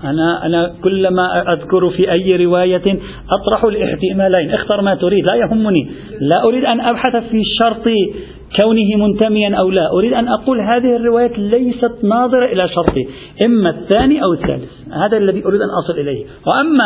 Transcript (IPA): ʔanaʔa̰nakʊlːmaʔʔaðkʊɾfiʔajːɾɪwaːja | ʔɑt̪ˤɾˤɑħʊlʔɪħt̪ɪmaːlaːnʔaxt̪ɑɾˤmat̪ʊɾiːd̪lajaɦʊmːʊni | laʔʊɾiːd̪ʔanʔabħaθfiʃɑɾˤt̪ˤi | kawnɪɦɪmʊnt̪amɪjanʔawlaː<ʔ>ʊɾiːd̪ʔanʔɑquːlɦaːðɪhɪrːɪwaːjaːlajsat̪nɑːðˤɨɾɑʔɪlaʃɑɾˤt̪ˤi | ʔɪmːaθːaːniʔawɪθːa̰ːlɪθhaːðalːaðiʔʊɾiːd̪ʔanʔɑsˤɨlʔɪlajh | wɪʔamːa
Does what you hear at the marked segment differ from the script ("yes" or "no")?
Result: no